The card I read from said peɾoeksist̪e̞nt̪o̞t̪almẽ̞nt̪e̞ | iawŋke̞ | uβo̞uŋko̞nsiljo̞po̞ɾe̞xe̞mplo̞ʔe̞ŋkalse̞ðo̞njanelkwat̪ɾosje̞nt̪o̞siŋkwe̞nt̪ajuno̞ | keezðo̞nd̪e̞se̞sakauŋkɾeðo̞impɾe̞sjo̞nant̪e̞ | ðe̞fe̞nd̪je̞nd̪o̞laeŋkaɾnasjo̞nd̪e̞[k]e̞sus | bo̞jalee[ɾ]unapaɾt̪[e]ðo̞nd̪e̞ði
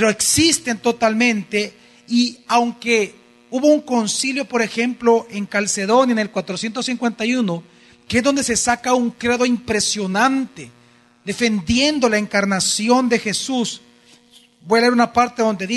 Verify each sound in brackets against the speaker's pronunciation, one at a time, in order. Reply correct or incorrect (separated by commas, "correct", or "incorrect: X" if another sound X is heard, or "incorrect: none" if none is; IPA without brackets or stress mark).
incorrect: x, correct, correct